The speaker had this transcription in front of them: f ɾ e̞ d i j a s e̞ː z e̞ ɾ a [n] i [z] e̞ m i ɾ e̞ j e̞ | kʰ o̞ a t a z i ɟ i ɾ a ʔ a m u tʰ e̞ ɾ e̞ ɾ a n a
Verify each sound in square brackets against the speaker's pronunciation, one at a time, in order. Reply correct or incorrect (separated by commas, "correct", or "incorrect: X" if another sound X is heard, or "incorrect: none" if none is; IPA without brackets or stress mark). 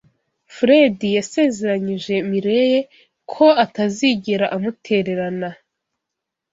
incorrect: ɲ, incorrect: ʒ